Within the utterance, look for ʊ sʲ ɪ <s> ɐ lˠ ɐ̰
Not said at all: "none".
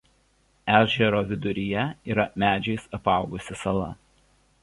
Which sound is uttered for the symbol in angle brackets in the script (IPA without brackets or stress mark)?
s